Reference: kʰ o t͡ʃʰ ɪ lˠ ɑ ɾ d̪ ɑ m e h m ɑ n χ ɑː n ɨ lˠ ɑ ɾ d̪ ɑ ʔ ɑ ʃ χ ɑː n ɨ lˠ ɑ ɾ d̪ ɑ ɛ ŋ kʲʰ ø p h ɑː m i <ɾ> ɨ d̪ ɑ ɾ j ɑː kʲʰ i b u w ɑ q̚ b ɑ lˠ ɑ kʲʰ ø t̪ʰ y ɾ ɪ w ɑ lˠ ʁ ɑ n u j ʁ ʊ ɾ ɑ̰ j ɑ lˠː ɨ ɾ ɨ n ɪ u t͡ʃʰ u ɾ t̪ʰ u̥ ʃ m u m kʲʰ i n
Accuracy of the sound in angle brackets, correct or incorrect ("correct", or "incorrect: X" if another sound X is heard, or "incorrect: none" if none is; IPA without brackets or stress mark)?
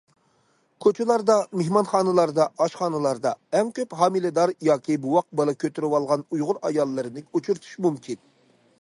incorrect: l